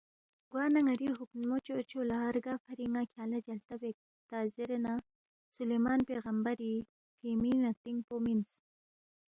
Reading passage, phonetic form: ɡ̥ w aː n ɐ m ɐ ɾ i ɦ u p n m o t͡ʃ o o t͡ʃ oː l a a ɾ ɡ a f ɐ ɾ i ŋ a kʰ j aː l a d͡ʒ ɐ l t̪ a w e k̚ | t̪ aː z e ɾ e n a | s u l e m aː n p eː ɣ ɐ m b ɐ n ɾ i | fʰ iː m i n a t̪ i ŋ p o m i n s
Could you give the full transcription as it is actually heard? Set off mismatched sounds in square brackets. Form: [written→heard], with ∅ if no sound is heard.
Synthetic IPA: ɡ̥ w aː n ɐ [m→ŋ] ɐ ɾ i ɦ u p n m o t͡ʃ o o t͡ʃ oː l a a ɾ ɡ a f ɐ ɾ i ŋ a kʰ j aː l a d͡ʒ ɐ l t̪ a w e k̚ | t̪ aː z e ɾ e n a | s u l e m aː n p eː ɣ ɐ m b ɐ [n→∅] ɾ i | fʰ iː m i n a t̪ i ŋ p o m i n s